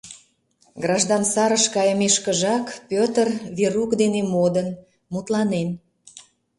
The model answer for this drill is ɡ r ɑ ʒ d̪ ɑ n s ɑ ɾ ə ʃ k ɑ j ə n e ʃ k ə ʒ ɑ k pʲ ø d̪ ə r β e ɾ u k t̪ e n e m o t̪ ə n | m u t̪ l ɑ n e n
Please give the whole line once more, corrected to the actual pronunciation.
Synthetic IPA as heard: ɡ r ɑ ʒ d̪ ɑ n s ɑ ɾ ə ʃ k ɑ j ə m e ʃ k ə ʒ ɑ k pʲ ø t̪ ə r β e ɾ u k d̪ e n e m o d̪ ə n | m u t̪ l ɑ n e n